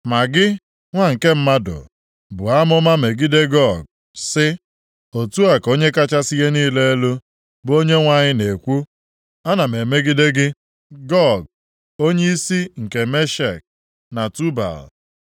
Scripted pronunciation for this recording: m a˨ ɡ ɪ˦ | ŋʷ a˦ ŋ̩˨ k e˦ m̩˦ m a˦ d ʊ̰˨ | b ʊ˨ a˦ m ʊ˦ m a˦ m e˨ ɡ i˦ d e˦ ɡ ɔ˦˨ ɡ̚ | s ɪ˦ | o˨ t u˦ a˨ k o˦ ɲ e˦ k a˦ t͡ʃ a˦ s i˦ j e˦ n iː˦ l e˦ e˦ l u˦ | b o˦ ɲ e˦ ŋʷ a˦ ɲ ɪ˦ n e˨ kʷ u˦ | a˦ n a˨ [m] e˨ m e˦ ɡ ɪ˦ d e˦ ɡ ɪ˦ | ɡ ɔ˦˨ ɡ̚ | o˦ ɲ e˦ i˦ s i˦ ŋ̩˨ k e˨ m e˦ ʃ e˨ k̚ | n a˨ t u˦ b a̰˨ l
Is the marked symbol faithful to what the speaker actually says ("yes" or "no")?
yes